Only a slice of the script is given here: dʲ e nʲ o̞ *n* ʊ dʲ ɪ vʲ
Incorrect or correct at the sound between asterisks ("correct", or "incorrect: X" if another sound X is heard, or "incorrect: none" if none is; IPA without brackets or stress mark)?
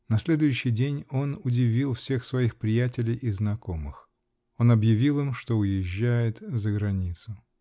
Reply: correct